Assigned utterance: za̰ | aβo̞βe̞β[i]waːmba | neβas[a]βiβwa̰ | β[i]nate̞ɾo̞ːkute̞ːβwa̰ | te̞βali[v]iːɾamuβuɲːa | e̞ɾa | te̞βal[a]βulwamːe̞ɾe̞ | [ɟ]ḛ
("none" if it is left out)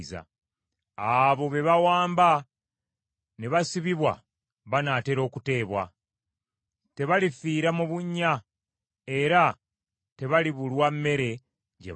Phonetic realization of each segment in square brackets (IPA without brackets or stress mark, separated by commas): a, i, a, f, i, ɟ